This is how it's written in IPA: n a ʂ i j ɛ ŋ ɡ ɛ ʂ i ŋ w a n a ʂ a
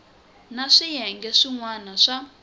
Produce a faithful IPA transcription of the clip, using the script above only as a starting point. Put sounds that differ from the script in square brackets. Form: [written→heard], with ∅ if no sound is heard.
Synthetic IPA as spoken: n a ʂ i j ɛ ŋ ɡ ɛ ʂ i ŋ w a n a ʂ a

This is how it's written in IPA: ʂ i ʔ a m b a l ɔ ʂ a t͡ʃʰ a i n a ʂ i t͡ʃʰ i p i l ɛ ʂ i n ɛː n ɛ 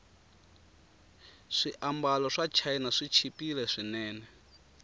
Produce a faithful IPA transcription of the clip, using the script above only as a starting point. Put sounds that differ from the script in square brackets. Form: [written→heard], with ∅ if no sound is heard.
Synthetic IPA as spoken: ʂ i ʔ a m b a l ɔ ʂ a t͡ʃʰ a i n a ʂ i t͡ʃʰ i p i l ɛ ʂ i n ɛː n ɛ

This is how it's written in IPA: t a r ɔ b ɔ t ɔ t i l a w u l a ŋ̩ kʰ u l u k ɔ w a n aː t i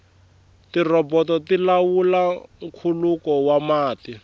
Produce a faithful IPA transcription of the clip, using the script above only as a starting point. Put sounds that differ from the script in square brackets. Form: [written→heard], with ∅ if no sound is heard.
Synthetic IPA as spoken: t [a→i] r ɔ b ɔ t ɔ t i l a w u l a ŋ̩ kʰ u l u k ɔ w a [n→m] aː t i

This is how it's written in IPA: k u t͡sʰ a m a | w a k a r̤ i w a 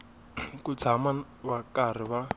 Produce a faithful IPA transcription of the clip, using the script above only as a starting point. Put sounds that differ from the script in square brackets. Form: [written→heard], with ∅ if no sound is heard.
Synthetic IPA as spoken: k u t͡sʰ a m a | [w→β] a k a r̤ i [w→β] a

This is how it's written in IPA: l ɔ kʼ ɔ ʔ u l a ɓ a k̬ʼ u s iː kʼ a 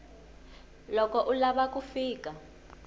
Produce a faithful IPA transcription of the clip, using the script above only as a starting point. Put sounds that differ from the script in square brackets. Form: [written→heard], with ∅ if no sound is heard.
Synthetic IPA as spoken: l ɔ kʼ ɔ ʔ u l a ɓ a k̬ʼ u [s→f] iː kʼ a

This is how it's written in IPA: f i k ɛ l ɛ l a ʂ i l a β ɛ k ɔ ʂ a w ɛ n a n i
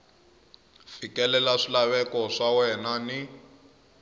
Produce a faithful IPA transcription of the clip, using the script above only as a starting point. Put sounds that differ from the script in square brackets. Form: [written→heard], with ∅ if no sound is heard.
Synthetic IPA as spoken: f i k ɛ l ɛ l a ʂ i l a β ɛ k ɔ ʂ a w ɛ n a n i

